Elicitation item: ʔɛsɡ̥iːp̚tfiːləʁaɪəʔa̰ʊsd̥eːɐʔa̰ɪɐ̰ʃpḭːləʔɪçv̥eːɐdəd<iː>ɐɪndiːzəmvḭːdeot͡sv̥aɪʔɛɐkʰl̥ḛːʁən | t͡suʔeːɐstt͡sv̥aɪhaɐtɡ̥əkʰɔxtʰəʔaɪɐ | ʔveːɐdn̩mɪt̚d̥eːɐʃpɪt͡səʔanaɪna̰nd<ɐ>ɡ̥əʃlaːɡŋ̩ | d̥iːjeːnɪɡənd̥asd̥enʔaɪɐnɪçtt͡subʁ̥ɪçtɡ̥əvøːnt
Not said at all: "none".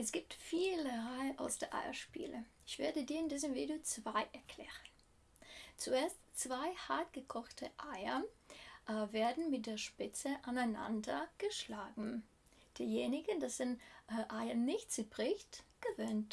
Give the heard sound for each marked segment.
iː, ɐ

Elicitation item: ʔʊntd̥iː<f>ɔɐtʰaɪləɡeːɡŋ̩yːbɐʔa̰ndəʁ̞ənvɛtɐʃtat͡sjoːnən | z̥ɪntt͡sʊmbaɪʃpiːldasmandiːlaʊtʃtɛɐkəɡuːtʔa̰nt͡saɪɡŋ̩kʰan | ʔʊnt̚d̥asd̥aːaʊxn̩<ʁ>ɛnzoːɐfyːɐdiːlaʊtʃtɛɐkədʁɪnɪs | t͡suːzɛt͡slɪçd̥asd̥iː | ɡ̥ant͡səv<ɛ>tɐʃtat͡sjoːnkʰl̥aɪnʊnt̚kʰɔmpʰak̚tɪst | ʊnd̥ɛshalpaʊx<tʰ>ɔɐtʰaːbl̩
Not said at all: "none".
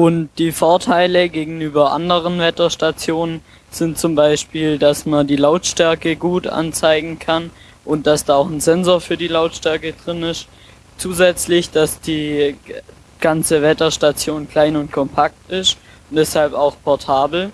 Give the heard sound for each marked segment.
f, z, ɛ, pʰ

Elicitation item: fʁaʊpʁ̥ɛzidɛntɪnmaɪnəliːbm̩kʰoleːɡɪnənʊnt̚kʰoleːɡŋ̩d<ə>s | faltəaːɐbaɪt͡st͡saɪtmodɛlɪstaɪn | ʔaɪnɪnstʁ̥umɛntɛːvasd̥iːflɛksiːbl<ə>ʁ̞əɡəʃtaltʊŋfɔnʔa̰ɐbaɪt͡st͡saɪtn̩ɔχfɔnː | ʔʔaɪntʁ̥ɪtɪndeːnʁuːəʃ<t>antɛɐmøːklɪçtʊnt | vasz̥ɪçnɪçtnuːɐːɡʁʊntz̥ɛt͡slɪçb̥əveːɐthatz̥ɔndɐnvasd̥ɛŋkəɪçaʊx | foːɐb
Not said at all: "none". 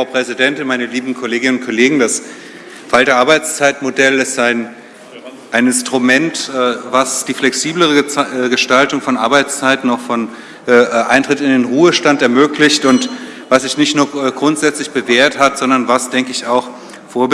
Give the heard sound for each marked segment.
a, ə, t

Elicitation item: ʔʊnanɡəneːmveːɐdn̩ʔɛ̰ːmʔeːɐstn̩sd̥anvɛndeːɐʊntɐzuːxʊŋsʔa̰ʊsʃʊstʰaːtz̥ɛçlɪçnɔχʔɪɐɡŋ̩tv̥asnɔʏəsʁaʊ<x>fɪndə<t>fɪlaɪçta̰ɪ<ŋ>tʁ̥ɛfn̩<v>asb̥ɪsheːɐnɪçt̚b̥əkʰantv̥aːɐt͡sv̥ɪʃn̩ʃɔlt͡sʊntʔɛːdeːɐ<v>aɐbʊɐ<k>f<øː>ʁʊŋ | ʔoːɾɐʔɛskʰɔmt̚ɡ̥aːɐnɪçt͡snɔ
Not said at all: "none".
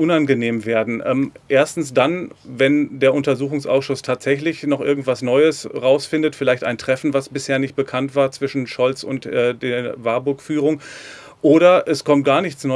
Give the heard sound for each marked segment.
s, t, n, v, v, k, yː

